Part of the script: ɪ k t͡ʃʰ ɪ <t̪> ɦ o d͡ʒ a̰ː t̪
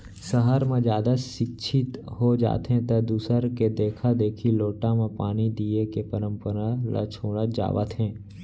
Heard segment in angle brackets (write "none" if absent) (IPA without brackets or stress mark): t̪